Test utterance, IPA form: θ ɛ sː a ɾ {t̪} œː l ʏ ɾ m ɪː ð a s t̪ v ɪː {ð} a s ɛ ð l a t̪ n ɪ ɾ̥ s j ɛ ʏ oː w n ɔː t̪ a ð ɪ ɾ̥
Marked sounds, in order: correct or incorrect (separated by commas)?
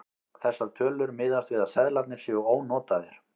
incorrect, correct